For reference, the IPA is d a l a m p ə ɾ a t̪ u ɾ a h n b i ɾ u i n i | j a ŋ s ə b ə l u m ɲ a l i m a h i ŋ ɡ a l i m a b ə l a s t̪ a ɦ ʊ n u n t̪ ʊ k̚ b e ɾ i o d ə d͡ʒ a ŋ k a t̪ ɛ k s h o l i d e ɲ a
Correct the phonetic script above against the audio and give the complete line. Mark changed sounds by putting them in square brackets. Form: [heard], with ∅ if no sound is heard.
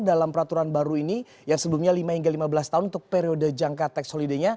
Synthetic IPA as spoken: d a l a m p ə ɾ a t̪ u ɾ a [∅] n b [a] ɾ u i n i | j a ŋ s ə b ə l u m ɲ a l i m a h i ŋ ɡ a l i m a b ə l a s t̪ a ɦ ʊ n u n t̪ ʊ k̚ [p] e ɾ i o d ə d͡ʒ a ŋ k a t̪ ɛ k s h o l i d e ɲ a

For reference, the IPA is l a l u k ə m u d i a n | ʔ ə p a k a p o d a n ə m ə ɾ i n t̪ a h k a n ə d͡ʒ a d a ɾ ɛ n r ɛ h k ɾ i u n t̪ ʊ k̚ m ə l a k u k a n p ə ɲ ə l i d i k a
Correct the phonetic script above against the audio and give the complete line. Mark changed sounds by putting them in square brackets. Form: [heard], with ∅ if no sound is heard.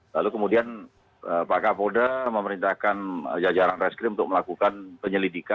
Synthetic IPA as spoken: l a l u k ə m u d i a n | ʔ ə p a k a p o d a [m] ə m ə ɾ i n t̪ a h k a n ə d͡ʒ a [d͡ʒ] a ɾ [a] n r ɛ [s] k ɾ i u n t̪ ʊ k̚ m ə l a k u k a n p ə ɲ ə l i d i k a

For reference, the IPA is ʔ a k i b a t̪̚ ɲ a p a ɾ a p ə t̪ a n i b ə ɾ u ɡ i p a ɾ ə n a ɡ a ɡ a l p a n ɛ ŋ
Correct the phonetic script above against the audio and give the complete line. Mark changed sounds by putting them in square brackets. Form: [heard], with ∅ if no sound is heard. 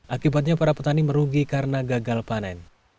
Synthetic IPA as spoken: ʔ a k i b a t̪̚ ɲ a p a ɾ a p ə t̪ a n i [m] ə ɾ u ɡ i [k] a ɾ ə n a ɡ a ɡ a l p a n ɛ [n]

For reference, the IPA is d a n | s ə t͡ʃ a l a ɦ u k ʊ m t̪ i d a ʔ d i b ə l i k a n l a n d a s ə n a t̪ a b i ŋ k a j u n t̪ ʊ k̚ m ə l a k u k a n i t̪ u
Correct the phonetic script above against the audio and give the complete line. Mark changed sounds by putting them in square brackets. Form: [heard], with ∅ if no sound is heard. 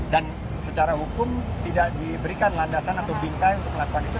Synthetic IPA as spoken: d a n | s ə t͡ʃ a [ɾ] a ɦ u k ʊ m t̪ i d a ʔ d i b ə [ɾ] i k a n l a n d a s [a] n a t̪ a b i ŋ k a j u n t̪ ʊ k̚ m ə l a k u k a n i t̪ u

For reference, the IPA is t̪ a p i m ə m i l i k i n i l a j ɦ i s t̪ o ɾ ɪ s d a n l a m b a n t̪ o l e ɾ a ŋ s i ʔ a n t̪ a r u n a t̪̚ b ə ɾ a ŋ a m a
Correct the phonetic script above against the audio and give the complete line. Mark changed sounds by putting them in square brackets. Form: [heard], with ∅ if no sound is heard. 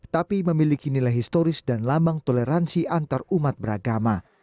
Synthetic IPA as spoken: t̪ a p i m ə m i l i k i n i l a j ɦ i s t̪ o ɾ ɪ s d a n l a m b a [ŋ] t̪ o l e ɾ a [n] s i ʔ a n t̪ a r u [m] a t̪̚ b ə ɾ a [ɡ] a m a

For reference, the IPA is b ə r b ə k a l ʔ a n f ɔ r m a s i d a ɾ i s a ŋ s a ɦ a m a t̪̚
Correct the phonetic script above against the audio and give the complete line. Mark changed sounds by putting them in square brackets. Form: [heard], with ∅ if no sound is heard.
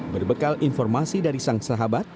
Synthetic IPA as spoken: b ə r b ə k a l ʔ [i] n f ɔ r m a s i d a ɾ i s a ŋ s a ɦ a [b] a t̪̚

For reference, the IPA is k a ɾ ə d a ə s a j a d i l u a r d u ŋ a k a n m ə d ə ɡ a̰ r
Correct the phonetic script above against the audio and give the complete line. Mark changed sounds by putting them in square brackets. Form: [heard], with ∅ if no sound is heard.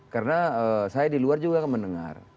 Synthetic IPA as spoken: k a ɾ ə [n] a ə s a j a d i l u a r [d͡ʒ] u [ɡ] a k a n m ə [n] ə [ŋ] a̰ r

